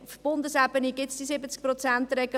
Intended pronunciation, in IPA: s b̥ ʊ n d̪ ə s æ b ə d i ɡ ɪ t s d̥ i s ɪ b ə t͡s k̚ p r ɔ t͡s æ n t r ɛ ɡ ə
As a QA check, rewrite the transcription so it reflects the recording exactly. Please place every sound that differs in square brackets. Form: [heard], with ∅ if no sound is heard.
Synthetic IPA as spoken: [f] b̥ ʊ n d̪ ə s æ b ə [n] i ɡ ɪ t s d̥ i s ɪ b ə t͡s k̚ p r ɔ t͡s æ n t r ɛ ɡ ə